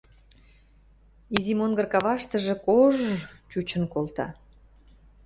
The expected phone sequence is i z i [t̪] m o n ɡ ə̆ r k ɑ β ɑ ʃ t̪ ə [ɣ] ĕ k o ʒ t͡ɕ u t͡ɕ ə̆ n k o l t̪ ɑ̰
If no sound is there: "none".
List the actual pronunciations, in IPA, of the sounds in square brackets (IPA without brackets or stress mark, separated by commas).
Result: none, ʒ